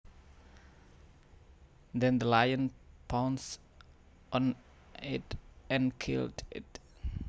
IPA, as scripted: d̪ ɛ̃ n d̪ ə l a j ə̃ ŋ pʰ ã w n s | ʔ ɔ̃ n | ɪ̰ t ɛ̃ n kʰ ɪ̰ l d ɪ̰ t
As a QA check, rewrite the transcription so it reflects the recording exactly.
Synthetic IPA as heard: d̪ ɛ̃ n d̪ ə l a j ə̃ n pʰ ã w n s | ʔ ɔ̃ n | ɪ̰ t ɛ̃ n kʰ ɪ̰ l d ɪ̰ t

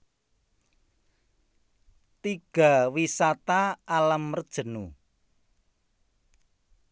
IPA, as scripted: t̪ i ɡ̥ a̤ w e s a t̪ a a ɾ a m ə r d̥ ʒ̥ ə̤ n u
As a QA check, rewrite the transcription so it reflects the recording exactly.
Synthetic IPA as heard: t̪ i ɡ̥ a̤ w i s a t̪ a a l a m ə r d̥ ʒ̥ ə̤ n u

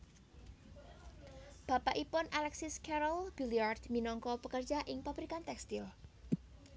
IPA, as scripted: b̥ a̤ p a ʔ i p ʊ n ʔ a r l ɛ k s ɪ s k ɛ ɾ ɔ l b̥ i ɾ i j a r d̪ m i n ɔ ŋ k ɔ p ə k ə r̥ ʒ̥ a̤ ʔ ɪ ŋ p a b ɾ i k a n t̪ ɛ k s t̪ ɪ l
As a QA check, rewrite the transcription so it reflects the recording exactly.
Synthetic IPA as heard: b̥ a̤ p a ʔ i p ʊ n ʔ a l ɛ k s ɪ s k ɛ ɾ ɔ l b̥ i l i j a r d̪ m i n ɔ ŋ k ɔ p ə k ə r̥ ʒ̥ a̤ ʔ ɪ ŋ p a b ɾ i k a n t̪ ɛ k s t̪ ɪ l

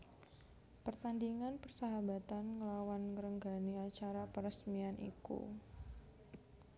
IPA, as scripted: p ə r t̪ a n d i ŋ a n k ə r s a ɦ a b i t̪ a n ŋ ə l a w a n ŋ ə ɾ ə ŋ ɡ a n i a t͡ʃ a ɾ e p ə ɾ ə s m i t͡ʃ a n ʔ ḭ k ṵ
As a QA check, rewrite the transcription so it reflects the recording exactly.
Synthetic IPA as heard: p ə r t̪ a n d i ŋ a n p ə r s a ɦ a b a t̪ a n ŋ ə l a w a n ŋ ə ɾ ə ŋ ɡ a n i a t͡ʃ a ɾ a p ə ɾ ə s m i a n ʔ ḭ k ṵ

